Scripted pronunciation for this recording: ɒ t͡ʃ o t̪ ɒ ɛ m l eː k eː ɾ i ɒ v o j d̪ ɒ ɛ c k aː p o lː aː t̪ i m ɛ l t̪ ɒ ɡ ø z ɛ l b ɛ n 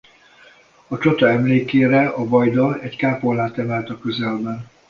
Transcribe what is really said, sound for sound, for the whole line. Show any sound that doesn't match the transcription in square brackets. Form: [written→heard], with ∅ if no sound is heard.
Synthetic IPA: ɒ t͡ʃ o t̪ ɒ ɛ m l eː k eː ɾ [i→ɛ] ɒ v [o→ɒ] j d̪ ɒ ɛ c k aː p o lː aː t̪ [i→ɛ] m ɛ l t̪ ɒ [ɡ→k] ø z ɛ l b ɛ n